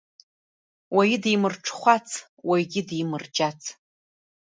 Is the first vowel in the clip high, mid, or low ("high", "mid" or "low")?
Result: low